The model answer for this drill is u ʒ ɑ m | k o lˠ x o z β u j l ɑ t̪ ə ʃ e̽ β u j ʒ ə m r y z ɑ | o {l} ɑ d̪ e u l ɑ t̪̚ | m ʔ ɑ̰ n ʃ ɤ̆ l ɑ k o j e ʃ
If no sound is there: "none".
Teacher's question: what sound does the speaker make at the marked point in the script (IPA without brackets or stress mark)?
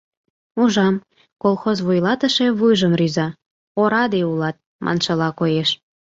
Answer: ɾ